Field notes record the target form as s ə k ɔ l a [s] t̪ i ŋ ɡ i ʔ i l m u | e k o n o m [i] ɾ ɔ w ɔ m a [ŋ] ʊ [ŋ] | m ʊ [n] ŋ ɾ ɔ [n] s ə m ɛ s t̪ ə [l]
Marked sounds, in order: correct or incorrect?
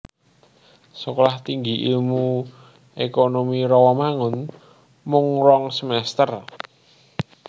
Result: incorrect, correct, correct, incorrect, incorrect, incorrect, incorrect

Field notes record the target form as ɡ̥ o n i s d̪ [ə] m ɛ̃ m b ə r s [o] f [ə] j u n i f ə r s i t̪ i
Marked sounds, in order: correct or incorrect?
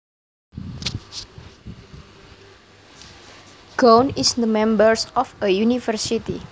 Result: correct, incorrect, correct

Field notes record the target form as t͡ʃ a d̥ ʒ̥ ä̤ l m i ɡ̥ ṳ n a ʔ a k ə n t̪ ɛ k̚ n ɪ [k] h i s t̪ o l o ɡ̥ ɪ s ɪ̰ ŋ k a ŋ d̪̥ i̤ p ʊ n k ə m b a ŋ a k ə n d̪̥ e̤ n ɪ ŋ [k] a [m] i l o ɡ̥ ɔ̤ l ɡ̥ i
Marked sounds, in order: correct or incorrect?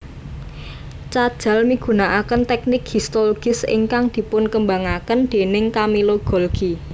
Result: correct, correct, correct

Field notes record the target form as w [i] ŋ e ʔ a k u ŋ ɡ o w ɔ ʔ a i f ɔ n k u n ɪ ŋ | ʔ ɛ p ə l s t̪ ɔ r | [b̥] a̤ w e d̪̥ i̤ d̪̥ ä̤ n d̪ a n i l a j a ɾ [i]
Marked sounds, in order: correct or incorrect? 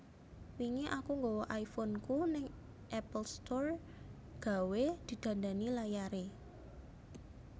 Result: correct, incorrect, incorrect

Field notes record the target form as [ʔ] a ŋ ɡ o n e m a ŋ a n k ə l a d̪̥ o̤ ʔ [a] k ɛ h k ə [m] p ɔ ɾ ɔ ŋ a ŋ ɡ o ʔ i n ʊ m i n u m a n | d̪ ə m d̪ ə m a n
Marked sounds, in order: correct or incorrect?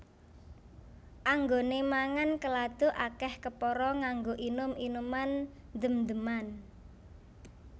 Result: correct, correct, incorrect

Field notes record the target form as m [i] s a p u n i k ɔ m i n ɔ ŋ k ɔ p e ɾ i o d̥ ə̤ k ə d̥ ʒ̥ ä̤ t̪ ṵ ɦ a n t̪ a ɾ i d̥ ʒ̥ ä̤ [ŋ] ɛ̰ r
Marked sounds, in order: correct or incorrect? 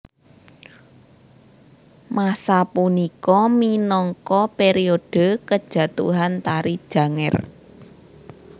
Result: incorrect, correct

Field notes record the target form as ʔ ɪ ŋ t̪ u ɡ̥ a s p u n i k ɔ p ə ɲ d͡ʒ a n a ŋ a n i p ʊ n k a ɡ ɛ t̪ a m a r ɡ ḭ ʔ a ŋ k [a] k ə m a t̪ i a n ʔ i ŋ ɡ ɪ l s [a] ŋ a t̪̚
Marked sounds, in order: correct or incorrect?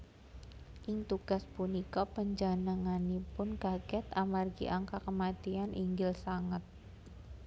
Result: correct, correct

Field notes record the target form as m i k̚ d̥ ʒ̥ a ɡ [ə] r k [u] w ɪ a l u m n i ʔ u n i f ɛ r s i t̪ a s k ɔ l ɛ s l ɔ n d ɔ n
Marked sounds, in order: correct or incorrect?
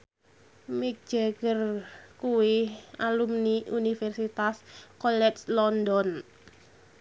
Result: correct, correct

